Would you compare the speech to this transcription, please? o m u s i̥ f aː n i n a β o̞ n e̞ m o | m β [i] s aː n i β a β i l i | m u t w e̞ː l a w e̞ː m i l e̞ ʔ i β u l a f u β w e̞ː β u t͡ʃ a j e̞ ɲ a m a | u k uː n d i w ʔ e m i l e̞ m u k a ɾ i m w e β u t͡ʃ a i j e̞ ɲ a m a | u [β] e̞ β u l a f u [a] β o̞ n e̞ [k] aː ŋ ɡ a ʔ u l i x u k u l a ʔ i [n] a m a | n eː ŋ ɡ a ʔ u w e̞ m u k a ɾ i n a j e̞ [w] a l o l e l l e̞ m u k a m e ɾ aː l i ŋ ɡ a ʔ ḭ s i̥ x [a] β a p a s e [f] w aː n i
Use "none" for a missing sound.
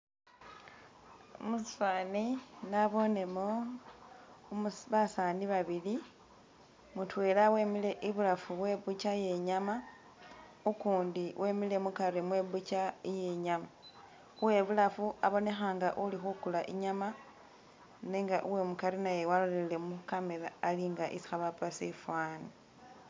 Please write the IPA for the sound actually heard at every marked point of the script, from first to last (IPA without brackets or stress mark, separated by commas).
a, w, a, x, ɲ, w, a, f